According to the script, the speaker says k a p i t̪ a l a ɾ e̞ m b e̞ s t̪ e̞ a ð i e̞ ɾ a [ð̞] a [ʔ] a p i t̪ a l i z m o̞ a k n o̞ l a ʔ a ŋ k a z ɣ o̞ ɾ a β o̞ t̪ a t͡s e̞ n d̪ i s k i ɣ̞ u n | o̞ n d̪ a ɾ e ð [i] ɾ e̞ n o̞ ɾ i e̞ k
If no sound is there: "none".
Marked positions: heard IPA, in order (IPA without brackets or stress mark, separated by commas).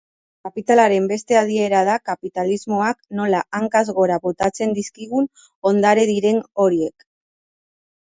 ð̞, k, i